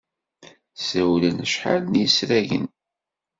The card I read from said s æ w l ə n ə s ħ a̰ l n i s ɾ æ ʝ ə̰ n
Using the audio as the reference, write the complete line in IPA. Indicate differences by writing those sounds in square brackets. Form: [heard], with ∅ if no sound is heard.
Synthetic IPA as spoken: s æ w l ə n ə [ʃ] ħ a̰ l n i s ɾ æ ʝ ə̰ n